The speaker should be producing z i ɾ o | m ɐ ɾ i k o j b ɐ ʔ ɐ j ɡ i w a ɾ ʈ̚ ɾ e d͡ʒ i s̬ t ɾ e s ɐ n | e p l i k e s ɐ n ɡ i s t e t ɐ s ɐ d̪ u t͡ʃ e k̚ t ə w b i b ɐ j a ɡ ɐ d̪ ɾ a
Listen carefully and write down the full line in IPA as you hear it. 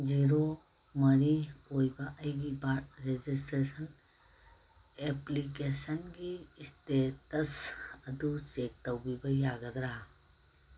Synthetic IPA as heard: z i ɾ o | m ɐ ɾ i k o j b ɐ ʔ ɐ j ɡ i b a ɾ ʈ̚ ɾ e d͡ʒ i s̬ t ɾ e s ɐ n | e p l i k e s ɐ n ɡ i s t e t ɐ s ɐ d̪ u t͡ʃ e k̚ t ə w b i b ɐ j a ɡ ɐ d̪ ɾ a